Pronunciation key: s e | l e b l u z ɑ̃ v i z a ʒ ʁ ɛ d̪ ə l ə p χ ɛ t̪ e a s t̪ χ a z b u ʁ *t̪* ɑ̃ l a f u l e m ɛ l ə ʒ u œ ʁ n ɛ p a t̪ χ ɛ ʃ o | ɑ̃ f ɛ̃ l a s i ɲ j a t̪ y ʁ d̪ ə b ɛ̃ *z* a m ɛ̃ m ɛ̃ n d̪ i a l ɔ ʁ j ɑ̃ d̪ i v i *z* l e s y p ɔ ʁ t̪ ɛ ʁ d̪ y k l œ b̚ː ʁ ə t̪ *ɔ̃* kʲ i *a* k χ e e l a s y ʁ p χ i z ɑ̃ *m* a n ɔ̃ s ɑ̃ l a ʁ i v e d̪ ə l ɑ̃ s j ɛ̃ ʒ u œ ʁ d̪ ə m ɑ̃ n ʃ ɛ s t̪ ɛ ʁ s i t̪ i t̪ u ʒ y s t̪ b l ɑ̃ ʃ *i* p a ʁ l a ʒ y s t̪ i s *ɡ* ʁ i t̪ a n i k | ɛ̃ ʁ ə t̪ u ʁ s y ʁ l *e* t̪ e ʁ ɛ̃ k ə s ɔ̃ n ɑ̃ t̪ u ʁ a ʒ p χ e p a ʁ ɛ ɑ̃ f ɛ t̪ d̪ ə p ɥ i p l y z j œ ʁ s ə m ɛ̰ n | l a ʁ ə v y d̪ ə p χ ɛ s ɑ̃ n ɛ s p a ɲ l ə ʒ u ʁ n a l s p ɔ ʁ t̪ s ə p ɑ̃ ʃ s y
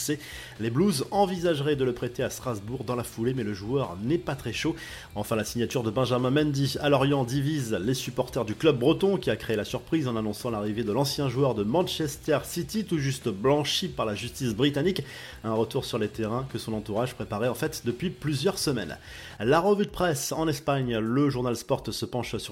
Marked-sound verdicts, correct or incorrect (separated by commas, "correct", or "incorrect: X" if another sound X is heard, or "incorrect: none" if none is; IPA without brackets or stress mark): incorrect: d̪, incorrect: ʒ, correct, correct, correct, incorrect: n, correct, incorrect: b, correct